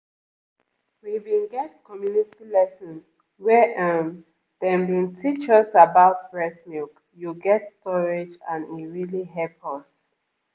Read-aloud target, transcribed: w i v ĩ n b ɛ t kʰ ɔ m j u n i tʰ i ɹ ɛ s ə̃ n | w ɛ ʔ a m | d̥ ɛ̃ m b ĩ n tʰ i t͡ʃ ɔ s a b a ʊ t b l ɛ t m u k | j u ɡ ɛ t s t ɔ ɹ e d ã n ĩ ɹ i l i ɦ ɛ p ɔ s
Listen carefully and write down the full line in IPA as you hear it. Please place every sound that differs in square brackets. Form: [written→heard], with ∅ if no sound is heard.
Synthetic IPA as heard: w i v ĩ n [b→ɡ] ɛ t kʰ ɔ m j u n i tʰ i [ɹ→l] ɛ s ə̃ n | w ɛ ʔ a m | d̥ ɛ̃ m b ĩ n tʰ i t͡ʃ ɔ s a b a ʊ t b [l→ɹ] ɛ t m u k | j u ɡ ɛ t s t ɔ ɹ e [d→d͡ʒ] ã n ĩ ɹ i l i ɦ ɛ p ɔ s